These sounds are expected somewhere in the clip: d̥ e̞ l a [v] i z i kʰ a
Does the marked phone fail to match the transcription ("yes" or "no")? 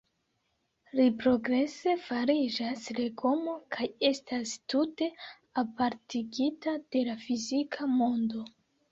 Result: yes